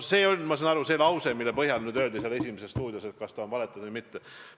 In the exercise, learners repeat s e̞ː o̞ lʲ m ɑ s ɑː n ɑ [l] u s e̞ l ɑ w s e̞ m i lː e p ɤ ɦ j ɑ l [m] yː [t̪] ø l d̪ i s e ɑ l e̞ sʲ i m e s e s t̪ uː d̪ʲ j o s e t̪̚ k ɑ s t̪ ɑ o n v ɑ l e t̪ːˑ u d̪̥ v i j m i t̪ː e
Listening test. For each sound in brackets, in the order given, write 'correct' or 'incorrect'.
incorrect, incorrect, incorrect

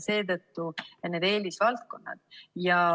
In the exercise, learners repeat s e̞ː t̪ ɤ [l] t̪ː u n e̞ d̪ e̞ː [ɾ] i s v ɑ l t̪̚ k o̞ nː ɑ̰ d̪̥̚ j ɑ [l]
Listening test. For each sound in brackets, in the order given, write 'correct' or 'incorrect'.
incorrect, incorrect, incorrect

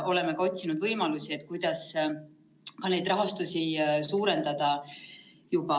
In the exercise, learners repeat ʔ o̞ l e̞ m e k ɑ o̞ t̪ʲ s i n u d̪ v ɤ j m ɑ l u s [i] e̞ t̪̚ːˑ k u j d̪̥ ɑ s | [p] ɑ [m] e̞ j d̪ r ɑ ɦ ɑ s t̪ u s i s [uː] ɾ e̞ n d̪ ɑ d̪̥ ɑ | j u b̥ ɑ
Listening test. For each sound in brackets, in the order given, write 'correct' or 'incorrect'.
correct, incorrect, incorrect, correct

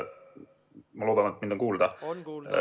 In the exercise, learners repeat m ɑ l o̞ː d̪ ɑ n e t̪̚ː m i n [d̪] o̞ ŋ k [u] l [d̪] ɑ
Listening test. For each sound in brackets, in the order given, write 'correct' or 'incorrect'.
correct, incorrect, correct

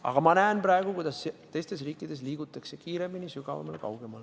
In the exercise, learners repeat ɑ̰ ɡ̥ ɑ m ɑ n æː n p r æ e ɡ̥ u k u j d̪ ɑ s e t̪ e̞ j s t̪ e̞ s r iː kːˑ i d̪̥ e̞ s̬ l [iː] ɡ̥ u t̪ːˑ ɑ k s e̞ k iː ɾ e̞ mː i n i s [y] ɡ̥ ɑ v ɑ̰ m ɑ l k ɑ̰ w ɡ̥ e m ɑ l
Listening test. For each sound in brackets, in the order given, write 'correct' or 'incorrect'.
correct, correct

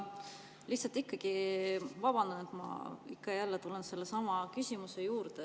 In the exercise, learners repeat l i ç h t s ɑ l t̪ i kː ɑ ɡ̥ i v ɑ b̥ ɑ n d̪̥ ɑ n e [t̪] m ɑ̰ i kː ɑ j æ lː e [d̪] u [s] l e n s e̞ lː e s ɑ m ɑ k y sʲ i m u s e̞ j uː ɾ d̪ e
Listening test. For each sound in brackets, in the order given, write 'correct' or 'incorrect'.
correct, incorrect, incorrect

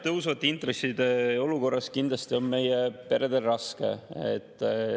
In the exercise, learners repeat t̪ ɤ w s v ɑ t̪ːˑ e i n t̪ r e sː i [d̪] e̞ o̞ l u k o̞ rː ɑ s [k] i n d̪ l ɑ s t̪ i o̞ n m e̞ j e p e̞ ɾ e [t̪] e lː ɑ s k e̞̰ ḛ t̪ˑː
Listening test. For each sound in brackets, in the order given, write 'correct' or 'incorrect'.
correct, correct, incorrect

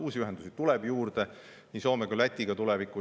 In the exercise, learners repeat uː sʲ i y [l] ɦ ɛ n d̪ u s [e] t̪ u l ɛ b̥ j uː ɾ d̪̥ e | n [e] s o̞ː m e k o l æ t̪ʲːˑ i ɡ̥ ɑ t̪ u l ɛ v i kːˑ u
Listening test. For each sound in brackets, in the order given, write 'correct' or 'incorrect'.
incorrect, incorrect, incorrect

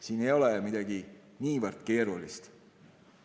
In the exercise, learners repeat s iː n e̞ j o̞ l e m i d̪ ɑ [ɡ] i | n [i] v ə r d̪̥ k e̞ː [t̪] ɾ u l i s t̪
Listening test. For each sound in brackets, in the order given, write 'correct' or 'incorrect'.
correct, incorrect, incorrect

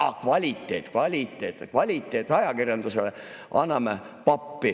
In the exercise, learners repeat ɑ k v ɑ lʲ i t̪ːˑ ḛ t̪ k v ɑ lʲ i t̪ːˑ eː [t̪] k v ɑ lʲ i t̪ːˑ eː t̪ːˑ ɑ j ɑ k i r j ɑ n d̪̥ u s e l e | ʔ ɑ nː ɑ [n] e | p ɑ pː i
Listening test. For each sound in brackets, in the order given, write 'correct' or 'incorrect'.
correct, incorrect

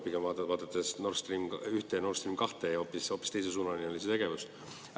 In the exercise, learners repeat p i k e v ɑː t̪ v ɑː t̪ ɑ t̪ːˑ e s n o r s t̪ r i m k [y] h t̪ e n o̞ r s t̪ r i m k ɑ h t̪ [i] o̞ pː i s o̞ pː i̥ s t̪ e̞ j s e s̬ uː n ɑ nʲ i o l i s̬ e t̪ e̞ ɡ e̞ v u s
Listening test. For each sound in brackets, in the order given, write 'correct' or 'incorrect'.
correct, incorrect

